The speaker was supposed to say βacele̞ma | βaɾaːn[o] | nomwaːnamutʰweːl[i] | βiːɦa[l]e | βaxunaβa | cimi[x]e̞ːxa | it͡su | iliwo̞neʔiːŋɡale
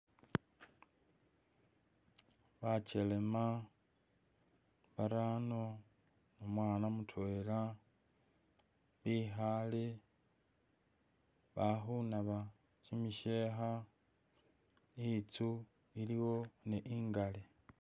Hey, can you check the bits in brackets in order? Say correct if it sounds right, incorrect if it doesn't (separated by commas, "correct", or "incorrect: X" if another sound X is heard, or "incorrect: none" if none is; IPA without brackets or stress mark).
correct, incorrect: a, correct, incorrect: ʃ